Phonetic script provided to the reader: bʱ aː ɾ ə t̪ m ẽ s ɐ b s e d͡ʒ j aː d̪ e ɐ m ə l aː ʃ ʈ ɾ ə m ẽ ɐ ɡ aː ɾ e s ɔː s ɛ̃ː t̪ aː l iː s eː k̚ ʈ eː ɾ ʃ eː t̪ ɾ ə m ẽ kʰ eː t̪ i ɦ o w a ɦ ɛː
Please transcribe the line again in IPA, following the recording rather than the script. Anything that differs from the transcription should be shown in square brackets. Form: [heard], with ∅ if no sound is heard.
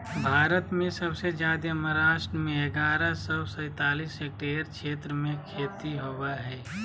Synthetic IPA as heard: bʱ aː ɾ ə t̪ m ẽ s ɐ b s e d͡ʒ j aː d̪ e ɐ m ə [ɾ] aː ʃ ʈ ɾ ə m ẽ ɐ ɡ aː ɾ [a] s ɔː s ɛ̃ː t̪ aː l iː s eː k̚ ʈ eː ɾ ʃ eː t̪ ɾ ə m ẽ kʰ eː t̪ i ɦ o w a ɦ ɛː

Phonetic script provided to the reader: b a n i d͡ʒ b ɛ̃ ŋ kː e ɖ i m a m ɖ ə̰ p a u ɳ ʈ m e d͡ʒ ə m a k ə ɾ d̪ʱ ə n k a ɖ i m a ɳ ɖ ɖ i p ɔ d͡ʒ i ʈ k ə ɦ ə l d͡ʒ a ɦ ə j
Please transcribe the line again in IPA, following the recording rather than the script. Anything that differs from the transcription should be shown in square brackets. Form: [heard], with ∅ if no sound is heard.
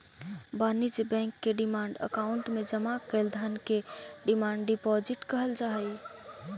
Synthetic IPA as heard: b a n i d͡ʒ b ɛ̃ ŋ kː e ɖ i m a [ɳ] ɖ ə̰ [k] a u ɳ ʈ m e d͡ʒ ə m a k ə [l] d̪ʱ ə n k [e] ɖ i m a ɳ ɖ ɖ i p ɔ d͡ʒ i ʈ k ə ɦ ə l d͡ʒ a ɦ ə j

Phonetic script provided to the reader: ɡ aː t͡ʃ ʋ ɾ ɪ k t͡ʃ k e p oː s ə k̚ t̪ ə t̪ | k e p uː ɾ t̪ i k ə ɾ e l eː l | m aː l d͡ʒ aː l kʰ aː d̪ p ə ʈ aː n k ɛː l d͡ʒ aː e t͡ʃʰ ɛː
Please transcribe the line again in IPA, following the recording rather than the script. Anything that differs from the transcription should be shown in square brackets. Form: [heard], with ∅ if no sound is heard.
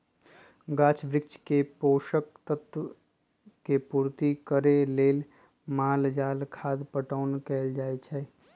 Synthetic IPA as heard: ɡ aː t͡ʃ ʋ ɾ ɪ k t͡ʃ k e p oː [ʃ] ə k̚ t̪ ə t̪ | k e p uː ɾ t̪ i k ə ɾ e l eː l | m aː l d͡ʒ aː l kʰ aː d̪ p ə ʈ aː n k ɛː l d͡ʒ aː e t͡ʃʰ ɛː

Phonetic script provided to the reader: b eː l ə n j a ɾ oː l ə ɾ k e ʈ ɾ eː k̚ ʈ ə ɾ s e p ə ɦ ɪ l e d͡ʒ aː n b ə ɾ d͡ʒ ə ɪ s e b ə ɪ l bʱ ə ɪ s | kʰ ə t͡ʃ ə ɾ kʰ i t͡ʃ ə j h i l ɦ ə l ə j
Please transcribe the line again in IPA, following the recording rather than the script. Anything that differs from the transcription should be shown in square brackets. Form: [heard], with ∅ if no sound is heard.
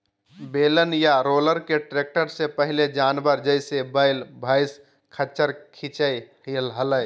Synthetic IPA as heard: b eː l ə n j a ɾ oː l ə ɾ k e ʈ ɾ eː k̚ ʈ ə ɾ s e p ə ɦ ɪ l e d͡ʒ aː n b ə ɾ d͡ʒ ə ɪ s e b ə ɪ l bʱ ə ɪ s | kʰ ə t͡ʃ ə ɾ kʰ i t͡ʃ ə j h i l ɦ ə l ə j

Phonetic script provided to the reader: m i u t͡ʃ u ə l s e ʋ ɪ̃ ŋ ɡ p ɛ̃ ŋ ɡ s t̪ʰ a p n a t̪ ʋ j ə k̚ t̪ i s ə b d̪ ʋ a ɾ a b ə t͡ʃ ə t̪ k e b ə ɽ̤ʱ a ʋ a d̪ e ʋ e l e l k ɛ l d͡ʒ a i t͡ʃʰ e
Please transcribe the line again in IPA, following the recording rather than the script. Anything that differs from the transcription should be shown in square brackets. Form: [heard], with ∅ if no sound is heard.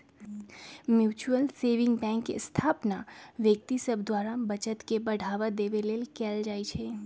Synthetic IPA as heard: m [j] u t͡ʃ u ə l s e ʋ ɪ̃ ŋ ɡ [b] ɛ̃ ŋ [k] s t̪ʰ a p n a [∅] ʋ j ə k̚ t̪ i s ə b d̪ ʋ a ɾ a b ə t͡ʃ ə t̪ k e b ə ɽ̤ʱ a ʋ a d̪ e ʋ e l e l k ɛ l d͡ʒ a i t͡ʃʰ e

